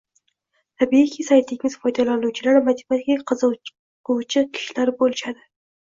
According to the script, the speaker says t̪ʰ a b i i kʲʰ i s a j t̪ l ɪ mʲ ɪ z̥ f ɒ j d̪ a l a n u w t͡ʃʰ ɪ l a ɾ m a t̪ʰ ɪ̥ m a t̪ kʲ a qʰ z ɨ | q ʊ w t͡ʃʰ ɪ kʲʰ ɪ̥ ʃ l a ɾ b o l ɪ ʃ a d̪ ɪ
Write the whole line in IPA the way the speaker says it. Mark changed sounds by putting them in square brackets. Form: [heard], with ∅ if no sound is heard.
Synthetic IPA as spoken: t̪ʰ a b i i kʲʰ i s a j t̪ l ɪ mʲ ɪ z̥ f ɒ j d̪ a l a n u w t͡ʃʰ ɪ l a ɾ m a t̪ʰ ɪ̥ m a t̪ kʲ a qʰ z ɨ | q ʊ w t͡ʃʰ ɪ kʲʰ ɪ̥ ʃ l a ɾ b o l ɪ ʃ a d̪ ɪ